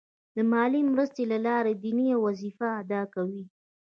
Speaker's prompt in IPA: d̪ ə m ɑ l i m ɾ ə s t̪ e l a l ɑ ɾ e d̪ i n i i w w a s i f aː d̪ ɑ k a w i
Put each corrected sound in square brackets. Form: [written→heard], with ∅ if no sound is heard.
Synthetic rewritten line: d̪ ə m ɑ l i m ɾ ə s t̪ e l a l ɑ ɾ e d̪ i n i [i→a] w w a [s→z] i f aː d̪ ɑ k a w i